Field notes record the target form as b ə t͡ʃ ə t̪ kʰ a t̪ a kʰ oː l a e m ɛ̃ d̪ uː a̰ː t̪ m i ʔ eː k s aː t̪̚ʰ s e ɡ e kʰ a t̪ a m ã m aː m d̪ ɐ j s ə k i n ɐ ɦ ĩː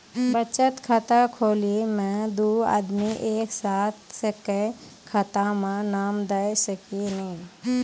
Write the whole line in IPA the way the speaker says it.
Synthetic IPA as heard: b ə t͡ʃ ə t̪ kʰ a t̪ a kʰ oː l i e m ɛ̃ d̪ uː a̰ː d̪ m i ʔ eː k s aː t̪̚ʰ s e k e kʰ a t̪ a m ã n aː m d̪ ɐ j s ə k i n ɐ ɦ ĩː